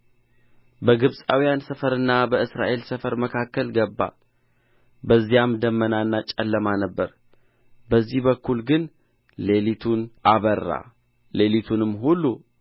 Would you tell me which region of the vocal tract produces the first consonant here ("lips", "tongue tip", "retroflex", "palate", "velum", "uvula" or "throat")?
lips